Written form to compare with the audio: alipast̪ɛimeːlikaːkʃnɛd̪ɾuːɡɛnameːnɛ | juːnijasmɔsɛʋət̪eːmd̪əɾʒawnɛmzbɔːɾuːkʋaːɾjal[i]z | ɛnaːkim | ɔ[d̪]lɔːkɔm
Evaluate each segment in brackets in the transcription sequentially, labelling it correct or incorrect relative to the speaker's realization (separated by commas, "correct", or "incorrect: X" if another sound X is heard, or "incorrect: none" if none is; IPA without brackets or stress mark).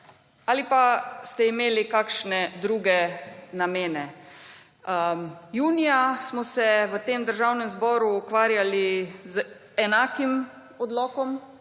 correct, correct